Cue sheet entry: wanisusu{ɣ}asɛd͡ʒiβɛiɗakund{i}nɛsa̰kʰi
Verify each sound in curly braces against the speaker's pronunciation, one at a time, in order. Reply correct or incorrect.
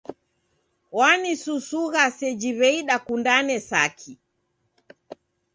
correct, incorrect

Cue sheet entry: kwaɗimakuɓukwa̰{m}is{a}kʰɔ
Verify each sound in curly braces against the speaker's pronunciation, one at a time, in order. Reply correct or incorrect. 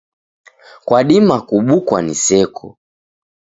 incorrect, incorrect

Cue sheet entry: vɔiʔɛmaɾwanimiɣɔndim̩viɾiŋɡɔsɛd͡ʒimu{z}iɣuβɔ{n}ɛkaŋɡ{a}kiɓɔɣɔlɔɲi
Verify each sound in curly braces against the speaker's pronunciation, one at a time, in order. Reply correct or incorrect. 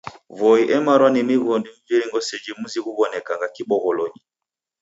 correct, correct, correct

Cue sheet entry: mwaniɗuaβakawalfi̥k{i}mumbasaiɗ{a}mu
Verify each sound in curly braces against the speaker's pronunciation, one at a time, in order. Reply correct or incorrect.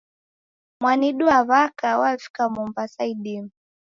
incorrect, incorrect

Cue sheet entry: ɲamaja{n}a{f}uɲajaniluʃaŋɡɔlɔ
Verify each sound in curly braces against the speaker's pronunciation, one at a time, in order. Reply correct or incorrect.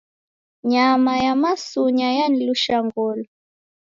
incorrect, incorrect

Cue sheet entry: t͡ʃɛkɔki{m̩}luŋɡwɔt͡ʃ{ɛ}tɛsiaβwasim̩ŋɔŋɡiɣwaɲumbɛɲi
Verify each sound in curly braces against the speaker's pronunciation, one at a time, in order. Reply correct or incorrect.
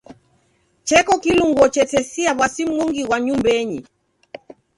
incorrect, correct

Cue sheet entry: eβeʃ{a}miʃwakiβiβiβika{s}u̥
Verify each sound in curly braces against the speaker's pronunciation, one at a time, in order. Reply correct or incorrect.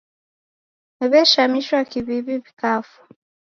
correct, incorrect

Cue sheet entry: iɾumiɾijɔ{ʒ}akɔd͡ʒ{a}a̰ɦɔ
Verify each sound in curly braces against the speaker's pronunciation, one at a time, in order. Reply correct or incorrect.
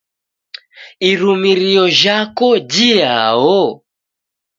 correct, incorrect

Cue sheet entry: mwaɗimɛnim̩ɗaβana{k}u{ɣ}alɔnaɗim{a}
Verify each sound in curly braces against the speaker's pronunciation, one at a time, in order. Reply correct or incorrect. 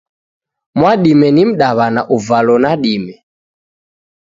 incorrect, incorrect, incorrect

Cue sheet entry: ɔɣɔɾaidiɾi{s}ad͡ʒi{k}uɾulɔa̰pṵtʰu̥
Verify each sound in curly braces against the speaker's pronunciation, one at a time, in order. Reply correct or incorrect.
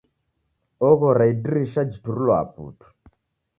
incorrect, incorrect

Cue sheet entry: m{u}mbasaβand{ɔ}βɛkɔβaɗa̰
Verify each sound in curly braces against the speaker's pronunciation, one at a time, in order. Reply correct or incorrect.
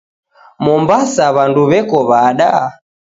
incorrect, incorrect

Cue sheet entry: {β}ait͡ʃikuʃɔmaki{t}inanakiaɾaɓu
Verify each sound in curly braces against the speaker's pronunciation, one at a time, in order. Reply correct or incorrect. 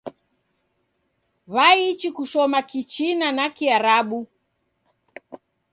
correct, incorrect

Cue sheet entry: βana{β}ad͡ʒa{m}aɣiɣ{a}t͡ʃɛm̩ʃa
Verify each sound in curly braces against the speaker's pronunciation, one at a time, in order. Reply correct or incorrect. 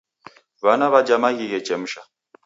correct, correct, incorrect

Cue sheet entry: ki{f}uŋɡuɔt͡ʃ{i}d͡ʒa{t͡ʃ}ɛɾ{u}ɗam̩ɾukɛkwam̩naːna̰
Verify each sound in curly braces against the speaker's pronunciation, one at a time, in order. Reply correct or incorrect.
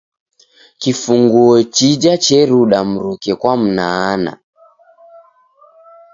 correct, correct, correct, correct

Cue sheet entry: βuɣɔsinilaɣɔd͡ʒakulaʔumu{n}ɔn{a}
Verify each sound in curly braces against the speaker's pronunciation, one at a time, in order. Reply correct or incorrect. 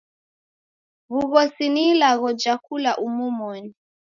incorrect, incorrect

